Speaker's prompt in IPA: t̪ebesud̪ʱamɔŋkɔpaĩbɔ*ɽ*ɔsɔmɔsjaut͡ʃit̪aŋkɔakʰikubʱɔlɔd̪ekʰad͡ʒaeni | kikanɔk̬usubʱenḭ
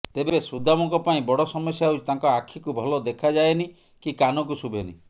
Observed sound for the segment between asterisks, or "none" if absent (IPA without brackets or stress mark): ɽ